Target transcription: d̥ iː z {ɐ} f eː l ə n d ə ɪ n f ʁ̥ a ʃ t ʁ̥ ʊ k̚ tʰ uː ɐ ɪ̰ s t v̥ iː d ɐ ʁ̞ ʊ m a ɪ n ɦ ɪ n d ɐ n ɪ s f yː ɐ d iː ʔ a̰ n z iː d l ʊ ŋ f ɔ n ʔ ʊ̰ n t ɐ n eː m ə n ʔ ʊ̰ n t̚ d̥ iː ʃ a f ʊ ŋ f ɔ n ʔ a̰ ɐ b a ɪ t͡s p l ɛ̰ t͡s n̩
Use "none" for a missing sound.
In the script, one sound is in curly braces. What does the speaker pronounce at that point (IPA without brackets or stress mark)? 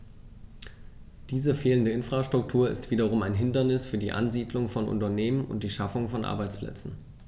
ə